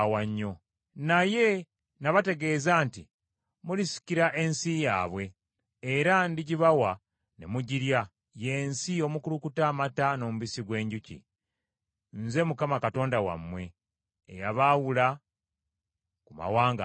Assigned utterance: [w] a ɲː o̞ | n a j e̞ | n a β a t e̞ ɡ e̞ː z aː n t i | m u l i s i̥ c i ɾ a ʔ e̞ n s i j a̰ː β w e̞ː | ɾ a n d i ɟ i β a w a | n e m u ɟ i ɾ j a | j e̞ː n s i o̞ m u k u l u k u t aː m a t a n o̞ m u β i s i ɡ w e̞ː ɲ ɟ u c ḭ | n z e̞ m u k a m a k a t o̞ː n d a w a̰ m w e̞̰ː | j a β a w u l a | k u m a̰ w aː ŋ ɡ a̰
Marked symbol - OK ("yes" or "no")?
yes